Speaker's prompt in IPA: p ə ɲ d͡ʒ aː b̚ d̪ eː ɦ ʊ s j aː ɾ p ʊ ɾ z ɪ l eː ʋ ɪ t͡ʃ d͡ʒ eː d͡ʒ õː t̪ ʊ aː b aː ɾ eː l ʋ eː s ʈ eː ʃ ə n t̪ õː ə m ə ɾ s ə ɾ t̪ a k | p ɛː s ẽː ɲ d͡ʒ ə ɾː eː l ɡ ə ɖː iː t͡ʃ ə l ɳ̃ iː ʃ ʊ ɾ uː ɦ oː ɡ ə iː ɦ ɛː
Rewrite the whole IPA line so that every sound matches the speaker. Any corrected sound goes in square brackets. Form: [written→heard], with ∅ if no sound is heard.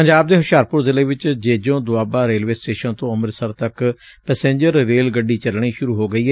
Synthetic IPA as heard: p ə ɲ d͡ʒ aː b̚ d̪ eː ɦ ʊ [s→ʃ] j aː ɾ p ʊ ɾ z ɪ l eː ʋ ɪ t͡ʃ d͡ʒ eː d͡ʒ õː [t̪→d̪] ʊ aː b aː ɾ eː l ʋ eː s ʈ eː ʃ ə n t̪ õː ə m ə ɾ s ə ɾ t̪ [a→ə] k | p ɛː s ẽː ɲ d͡ʒ ə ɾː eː l ɡ ə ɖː iː t͡ʃ ə l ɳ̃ iː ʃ ʊ ɾ uː ɦ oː ɡ ə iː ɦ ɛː